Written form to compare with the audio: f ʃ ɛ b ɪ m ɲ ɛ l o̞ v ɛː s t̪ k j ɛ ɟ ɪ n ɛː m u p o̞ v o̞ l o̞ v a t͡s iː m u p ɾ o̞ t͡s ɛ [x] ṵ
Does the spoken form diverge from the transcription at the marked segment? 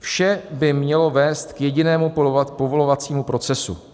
yes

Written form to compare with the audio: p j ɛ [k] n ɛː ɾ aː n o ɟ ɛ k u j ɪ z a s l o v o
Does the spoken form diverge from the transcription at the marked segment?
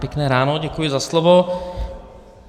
no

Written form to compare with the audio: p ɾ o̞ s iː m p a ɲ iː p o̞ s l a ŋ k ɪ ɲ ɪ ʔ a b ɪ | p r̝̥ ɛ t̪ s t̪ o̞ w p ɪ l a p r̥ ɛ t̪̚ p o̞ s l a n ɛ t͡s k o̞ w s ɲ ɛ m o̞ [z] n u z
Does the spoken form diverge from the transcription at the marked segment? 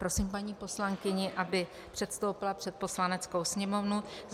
yes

